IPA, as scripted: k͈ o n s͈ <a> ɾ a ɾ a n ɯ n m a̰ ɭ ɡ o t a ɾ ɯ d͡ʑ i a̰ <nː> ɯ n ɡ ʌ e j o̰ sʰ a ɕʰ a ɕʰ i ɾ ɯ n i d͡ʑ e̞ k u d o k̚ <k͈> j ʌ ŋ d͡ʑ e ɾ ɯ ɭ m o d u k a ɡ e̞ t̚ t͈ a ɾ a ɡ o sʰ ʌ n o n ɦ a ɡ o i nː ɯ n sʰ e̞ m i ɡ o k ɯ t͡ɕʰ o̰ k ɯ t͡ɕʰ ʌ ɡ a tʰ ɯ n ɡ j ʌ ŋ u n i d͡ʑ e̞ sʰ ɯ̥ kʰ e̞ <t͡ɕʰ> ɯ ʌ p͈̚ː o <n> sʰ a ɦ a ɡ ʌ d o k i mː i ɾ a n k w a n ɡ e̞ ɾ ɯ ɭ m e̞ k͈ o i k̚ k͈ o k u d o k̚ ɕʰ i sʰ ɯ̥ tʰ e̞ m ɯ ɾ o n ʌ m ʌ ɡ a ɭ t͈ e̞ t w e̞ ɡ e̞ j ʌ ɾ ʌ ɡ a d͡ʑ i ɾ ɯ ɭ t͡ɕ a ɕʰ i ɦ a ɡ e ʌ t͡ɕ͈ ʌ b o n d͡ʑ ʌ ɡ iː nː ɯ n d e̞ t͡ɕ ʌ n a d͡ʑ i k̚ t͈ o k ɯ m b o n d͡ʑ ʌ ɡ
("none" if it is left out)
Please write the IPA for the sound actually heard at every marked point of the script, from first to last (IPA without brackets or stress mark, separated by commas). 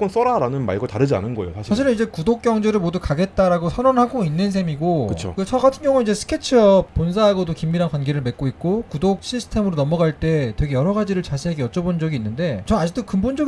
ʌ, n, k͈, t͡ɕʰ, n